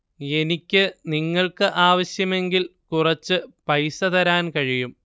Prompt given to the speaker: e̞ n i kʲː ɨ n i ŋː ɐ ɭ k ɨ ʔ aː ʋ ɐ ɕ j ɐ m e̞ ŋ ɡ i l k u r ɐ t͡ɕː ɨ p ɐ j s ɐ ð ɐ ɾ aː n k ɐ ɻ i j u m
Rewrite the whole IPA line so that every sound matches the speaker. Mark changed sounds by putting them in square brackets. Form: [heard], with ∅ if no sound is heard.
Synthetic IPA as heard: e̞ n i kʲː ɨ n i ŋː ɐ ɭ k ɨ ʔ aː ʋ ɐ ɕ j ɐ m e̞ ŋ ɡ i l k u r ɐ t͡ɕː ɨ p ɐ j s ɐ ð ɐ ɾ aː n k ɐ ɻ i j u m